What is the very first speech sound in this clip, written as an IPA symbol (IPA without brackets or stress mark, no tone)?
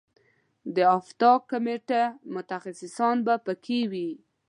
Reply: d̪